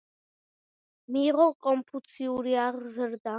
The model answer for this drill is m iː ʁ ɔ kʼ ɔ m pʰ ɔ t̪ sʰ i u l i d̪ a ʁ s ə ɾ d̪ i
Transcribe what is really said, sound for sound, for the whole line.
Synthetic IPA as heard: m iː ʁ ɔ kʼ ɔ m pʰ u t̪ sʰ i u ɾ i a ʁ z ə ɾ d̪ a